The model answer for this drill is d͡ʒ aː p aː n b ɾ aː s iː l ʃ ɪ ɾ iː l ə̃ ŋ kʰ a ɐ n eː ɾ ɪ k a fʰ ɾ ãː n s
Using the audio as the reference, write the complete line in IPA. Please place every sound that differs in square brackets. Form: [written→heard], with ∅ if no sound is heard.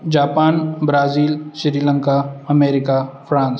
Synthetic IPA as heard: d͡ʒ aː p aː n b ɾ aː [s→z] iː l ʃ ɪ ɾ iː l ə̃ ŋ [kʰ→k] a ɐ [n→m] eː ɾ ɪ k a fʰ ɾ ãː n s